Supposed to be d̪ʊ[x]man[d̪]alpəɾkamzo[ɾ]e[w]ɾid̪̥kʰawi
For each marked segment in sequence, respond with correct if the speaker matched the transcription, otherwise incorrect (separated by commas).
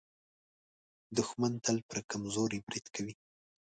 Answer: correct, incorrect, correct, incorrect